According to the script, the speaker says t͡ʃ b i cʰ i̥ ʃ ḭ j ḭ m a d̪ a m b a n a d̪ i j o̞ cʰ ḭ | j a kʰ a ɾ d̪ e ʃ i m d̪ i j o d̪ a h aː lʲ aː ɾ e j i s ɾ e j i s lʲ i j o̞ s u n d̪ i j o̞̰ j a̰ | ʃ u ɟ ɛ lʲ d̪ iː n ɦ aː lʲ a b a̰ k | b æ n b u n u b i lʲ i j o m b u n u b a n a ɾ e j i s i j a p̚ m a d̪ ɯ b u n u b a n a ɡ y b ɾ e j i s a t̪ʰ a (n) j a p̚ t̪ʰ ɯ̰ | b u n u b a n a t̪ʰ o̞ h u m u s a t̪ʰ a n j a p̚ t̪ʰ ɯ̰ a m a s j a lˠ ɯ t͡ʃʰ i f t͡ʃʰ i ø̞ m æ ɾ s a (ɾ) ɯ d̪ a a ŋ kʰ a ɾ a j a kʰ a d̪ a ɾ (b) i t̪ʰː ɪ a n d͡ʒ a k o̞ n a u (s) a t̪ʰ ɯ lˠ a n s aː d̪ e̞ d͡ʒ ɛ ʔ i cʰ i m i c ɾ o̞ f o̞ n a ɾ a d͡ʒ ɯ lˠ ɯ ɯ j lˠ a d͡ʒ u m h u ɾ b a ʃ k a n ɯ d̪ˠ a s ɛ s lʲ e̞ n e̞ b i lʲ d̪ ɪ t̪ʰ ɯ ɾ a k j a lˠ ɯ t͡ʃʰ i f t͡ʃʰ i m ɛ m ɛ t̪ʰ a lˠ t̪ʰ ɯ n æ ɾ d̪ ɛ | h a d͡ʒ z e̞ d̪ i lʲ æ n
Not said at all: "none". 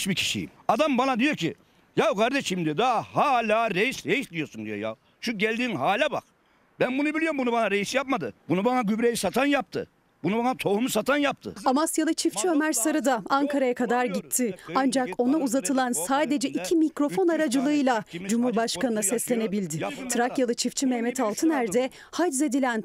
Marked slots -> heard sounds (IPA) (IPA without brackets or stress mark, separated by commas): n, ɾ, ɟ, z